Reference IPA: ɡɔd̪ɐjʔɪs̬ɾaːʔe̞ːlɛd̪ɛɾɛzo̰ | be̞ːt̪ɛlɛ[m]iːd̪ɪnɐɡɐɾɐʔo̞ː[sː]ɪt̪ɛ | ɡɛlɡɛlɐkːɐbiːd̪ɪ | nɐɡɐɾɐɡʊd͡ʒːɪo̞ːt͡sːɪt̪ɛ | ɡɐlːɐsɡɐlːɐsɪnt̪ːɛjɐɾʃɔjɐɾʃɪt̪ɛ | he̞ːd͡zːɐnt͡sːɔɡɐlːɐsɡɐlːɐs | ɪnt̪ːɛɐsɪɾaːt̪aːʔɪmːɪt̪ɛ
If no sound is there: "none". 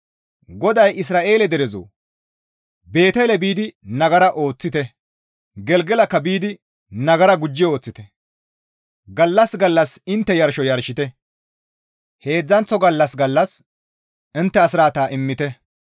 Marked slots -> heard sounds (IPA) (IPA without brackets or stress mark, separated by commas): b, t͡sː